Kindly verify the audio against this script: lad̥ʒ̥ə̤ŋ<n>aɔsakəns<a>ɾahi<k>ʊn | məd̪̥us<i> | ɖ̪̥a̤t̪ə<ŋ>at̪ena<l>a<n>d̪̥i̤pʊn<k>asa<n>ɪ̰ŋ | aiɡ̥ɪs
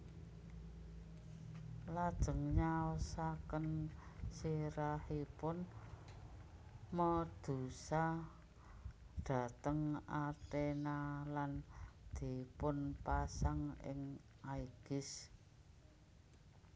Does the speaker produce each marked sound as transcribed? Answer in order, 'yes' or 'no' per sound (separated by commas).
no, no, no, no, yes, yes, yes, no, no